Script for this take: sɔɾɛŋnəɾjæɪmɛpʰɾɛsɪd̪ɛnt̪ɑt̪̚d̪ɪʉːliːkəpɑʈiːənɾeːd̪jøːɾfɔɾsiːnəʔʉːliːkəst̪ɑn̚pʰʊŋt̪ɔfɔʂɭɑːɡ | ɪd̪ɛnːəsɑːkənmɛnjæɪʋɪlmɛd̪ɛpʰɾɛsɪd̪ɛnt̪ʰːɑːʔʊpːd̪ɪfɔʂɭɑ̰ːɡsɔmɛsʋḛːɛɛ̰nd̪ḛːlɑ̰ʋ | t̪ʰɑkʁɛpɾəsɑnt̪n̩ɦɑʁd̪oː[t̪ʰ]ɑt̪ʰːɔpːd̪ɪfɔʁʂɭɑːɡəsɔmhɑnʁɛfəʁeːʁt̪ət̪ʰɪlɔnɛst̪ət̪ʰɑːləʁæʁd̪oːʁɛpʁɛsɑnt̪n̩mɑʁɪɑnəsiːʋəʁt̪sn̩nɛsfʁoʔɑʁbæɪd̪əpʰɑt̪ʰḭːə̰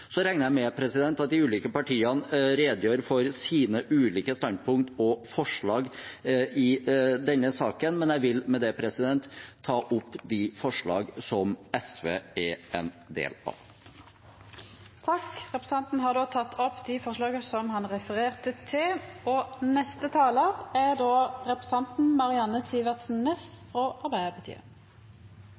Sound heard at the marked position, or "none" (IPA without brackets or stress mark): t̪ʰ